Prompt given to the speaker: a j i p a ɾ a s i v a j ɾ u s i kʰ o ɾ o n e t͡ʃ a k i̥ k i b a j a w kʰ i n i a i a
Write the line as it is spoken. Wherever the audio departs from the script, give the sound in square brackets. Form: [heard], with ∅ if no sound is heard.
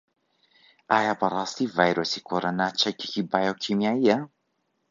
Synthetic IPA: a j [a] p a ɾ a s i v a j ɾ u s i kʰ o ɾ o n [a] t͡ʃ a k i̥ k i b a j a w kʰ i [m] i a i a